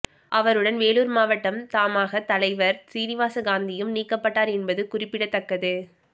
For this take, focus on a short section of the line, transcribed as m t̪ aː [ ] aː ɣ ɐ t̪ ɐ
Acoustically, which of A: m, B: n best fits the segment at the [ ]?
A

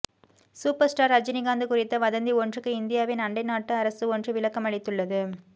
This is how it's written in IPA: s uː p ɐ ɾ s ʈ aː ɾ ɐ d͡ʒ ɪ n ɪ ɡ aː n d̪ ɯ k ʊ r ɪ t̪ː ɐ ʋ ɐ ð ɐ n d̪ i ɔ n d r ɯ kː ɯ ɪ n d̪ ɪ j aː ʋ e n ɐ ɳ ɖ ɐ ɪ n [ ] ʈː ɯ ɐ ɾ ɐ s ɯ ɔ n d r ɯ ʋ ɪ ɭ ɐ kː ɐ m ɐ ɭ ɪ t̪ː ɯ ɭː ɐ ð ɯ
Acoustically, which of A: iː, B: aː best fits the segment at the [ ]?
B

